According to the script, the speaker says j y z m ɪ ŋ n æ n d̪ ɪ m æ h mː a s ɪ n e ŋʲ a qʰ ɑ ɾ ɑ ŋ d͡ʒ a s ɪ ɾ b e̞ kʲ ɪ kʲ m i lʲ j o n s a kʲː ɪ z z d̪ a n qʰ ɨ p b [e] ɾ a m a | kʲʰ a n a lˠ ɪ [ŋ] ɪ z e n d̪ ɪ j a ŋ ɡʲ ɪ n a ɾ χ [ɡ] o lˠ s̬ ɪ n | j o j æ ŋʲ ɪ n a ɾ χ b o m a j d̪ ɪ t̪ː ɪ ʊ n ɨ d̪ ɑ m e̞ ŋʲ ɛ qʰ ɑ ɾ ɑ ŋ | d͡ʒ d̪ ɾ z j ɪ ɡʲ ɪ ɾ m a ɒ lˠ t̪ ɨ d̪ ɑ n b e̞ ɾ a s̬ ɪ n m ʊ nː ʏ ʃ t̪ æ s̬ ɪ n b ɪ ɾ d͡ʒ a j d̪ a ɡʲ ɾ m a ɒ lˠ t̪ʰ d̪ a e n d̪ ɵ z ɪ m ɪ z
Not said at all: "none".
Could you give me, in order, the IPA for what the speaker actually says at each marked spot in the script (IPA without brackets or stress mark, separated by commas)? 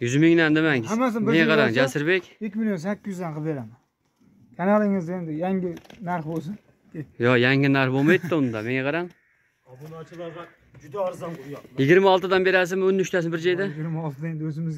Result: e, ŋ, b